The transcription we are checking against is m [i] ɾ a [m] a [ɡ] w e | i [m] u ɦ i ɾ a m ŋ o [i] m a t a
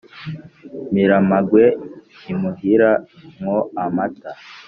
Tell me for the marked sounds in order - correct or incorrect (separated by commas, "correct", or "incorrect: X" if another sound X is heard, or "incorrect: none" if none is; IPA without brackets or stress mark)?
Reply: correct, correct, correct, correct, incorrect: a